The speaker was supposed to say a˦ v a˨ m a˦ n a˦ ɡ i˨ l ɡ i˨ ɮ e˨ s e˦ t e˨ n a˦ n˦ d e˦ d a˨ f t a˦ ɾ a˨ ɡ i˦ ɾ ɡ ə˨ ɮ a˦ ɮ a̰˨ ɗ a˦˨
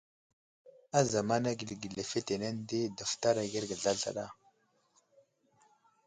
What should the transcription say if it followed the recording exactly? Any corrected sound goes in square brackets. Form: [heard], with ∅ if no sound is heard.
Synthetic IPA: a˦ [z] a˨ m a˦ n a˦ ɡ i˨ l ɡ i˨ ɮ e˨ [f] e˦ t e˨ n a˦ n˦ d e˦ d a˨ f t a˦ ɾ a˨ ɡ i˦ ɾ ɡ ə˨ ɮ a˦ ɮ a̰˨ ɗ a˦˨